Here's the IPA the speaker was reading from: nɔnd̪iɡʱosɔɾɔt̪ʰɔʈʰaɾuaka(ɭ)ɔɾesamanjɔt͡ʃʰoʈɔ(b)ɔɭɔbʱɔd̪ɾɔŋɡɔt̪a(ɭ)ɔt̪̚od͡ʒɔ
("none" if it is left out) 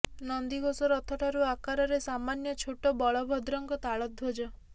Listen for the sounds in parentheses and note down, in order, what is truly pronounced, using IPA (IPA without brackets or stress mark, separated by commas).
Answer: ɾ, b, ɭ